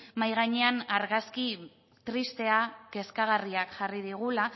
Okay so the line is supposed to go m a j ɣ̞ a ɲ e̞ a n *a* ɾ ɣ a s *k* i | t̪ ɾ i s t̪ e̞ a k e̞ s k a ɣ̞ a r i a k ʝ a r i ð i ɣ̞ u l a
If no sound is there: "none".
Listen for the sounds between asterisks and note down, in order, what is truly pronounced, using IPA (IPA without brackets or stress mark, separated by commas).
a, k